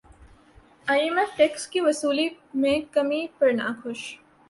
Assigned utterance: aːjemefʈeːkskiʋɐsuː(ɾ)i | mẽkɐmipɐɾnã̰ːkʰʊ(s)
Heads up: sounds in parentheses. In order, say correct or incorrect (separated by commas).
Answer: incorrect, incorrect